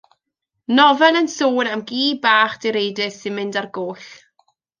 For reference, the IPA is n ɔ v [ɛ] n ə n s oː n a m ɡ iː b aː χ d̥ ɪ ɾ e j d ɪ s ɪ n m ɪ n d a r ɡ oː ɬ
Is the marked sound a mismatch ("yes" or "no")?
no